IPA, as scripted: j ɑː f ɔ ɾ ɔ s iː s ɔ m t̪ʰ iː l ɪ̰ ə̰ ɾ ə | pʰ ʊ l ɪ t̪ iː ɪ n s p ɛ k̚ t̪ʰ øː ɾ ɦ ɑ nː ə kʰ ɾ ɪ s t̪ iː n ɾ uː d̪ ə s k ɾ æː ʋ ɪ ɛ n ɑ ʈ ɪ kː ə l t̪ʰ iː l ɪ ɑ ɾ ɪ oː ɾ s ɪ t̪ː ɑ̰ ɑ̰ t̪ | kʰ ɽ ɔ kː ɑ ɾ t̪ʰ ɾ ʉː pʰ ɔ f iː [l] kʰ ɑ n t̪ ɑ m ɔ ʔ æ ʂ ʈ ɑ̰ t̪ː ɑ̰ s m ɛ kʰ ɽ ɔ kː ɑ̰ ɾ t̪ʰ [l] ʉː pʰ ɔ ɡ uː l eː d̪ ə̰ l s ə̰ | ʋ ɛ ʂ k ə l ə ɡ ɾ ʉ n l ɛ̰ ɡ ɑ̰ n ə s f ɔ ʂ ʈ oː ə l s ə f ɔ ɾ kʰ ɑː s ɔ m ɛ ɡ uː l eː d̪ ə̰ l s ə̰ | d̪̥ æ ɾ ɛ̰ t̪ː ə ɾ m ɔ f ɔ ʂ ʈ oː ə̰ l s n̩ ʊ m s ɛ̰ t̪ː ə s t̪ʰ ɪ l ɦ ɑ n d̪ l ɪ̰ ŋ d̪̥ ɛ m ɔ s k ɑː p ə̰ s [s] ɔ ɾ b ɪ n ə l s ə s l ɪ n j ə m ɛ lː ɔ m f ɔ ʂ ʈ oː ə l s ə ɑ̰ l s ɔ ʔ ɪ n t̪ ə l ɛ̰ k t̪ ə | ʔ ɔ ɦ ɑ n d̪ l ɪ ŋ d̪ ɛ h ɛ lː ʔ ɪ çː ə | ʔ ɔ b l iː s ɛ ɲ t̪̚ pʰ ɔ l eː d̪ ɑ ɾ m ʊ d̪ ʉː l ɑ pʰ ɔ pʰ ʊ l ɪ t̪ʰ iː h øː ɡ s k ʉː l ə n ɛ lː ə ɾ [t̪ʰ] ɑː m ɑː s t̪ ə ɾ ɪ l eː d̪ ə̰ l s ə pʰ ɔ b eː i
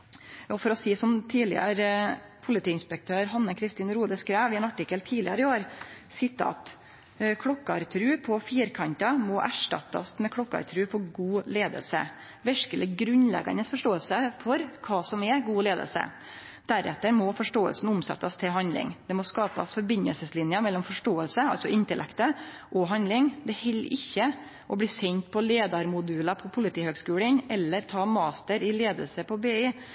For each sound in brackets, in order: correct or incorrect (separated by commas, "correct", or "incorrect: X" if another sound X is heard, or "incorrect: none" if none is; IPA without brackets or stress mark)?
incorrect: ɾ, incorrect: ɾ, incorrect: f, correct